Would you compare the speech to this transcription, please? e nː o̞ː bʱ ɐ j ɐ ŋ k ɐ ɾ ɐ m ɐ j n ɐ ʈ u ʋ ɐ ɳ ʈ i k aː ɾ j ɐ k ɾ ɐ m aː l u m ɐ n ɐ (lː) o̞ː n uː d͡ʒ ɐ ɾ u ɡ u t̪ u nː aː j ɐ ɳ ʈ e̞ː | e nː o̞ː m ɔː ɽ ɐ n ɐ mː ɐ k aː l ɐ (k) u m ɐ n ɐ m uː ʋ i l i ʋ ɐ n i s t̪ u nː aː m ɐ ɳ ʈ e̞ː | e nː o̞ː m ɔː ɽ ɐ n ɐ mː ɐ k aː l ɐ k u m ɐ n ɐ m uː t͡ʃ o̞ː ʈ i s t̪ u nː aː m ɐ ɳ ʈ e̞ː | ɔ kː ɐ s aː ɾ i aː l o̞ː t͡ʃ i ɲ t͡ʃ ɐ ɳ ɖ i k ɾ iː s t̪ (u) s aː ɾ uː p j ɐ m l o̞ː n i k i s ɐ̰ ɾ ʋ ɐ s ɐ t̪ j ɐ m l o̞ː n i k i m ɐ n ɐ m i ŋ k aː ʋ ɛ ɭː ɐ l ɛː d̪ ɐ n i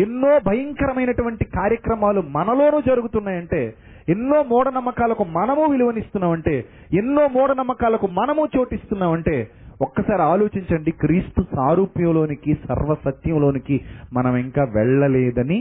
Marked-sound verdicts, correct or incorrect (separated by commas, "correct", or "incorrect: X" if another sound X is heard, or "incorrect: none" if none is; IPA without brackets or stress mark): incorrect: l, correct, correct